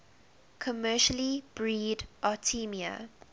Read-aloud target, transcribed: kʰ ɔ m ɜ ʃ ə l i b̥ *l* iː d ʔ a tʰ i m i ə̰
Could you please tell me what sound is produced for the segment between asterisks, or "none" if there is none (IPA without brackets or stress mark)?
ɹ